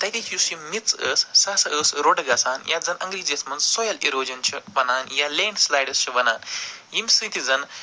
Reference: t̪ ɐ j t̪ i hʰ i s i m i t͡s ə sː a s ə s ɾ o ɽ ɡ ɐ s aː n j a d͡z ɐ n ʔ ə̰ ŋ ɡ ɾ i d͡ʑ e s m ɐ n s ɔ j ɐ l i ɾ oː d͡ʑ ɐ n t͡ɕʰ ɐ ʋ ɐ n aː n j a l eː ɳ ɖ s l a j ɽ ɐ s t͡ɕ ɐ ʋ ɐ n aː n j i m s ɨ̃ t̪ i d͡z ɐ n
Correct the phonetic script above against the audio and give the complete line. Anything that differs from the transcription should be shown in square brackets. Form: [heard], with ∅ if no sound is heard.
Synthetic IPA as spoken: t̪ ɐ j t̪ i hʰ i s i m i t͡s ə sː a s ə s ɾ o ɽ ɡ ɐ s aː n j a d͡z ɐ n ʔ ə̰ ŋ ɡ ɾ i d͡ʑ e s m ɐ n s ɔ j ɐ l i ɾ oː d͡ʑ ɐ n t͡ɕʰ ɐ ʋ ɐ n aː n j a l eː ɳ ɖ s l a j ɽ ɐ s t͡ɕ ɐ ʋ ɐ n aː n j i m s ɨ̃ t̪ i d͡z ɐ n